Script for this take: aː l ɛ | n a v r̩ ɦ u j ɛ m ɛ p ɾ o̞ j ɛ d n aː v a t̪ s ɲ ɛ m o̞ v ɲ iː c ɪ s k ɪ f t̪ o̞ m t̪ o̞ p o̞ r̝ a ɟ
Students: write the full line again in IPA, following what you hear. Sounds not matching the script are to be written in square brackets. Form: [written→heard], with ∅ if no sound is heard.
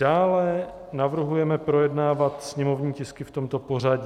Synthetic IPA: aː l ɛ | n a v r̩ ɦ u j ɛ m ɛ p ɾ o̞ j ɛ d n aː v a t̪ s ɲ ɛ m o̞ v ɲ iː c ɪ s k ɪ f t̪ o̞ m t̪ o̞ p o̞ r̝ a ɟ